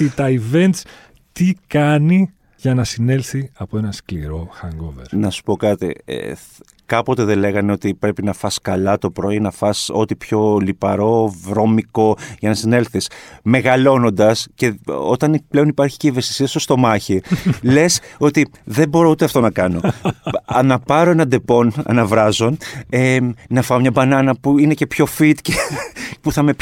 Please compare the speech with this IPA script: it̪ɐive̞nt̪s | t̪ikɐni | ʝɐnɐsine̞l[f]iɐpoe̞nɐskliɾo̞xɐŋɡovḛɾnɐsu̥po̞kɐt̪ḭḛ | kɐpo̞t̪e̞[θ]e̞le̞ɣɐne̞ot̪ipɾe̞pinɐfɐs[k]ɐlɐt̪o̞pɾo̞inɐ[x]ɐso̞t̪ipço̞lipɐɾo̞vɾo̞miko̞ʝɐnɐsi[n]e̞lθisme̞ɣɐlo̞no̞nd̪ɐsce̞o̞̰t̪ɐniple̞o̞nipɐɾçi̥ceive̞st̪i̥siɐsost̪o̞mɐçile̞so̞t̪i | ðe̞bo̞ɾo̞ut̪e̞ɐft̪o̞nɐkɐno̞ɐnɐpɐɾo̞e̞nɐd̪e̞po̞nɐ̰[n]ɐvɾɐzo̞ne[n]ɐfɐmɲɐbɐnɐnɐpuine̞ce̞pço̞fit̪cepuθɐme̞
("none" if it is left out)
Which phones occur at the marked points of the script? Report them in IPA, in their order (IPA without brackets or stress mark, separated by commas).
θ, ð, k, f, n, n, n